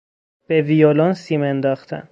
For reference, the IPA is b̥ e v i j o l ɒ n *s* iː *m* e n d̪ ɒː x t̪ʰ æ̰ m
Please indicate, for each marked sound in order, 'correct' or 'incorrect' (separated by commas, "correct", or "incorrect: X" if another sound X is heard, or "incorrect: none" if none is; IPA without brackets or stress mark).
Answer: correct, correct